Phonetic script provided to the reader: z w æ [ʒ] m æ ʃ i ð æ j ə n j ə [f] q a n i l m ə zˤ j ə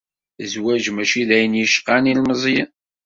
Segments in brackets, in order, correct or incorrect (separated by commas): correct, incorrect